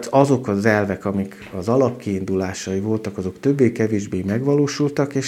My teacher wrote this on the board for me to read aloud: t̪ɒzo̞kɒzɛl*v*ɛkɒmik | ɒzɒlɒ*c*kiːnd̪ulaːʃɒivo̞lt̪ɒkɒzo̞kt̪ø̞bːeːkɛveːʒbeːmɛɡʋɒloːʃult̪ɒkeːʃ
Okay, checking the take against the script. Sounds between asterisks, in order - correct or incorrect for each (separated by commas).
correct, incorrect